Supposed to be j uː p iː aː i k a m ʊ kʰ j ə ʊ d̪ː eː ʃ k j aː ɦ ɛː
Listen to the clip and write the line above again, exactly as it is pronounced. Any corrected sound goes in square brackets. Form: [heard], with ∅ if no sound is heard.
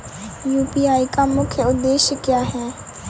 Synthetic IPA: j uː p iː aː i k a m ʊ kʰ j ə ʊ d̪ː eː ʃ k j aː ɦ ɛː